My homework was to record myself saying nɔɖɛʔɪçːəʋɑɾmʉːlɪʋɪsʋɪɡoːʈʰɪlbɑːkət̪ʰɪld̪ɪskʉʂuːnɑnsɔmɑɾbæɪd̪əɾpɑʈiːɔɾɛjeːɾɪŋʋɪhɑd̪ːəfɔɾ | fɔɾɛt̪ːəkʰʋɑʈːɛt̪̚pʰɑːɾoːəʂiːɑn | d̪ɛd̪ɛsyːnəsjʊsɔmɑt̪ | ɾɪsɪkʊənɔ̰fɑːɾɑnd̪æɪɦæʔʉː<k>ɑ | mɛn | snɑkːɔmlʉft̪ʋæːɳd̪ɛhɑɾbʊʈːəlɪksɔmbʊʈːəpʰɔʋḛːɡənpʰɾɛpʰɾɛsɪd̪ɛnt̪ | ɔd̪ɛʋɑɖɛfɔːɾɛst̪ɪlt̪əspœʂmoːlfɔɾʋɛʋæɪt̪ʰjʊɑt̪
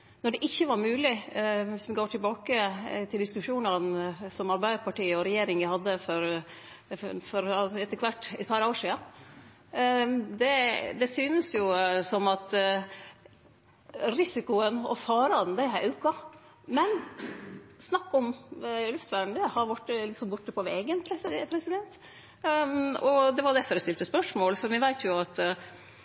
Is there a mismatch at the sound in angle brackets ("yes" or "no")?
no